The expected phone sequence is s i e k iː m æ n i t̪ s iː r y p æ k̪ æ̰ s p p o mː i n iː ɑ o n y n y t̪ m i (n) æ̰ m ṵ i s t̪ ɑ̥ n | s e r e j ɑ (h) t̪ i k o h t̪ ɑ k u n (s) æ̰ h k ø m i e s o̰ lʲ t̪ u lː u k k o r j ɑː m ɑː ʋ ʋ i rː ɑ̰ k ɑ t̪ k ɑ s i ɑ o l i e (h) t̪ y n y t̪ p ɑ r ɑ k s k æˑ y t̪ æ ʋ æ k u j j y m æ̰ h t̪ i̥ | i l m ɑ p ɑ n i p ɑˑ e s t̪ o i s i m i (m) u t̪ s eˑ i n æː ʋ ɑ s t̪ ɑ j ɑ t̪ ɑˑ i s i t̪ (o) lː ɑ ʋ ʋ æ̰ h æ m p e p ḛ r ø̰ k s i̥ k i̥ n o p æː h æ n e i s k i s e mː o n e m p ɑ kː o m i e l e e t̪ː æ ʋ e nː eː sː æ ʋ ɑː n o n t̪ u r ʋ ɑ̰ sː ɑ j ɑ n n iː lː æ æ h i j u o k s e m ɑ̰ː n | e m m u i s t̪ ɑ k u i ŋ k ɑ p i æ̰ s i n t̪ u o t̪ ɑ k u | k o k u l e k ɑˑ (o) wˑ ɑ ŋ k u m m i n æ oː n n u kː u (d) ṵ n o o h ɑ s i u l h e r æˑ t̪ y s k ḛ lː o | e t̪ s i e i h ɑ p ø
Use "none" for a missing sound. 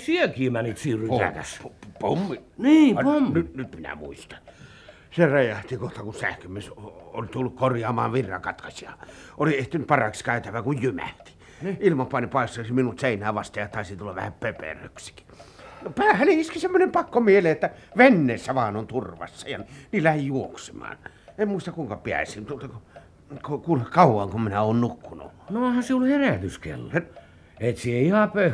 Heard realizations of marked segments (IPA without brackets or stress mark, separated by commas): n, h, s, h, n, u, u, n